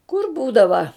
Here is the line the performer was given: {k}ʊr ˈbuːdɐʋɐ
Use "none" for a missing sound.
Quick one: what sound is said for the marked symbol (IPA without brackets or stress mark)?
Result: k